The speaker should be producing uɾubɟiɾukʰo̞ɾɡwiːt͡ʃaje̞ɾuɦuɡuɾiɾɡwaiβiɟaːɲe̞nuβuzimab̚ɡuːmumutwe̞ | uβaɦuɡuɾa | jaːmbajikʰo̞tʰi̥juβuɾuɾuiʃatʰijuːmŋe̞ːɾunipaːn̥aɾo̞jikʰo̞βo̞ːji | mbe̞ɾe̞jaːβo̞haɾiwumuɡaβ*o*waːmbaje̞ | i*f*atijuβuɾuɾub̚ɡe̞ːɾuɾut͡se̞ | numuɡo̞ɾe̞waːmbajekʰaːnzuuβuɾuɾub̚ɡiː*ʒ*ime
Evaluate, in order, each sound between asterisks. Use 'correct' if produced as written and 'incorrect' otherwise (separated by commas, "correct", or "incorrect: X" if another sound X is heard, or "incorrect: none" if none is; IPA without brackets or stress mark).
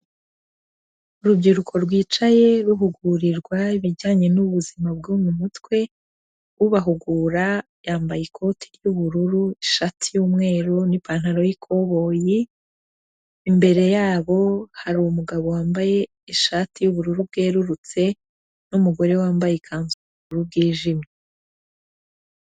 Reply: correct, incorrect: ʃ, correct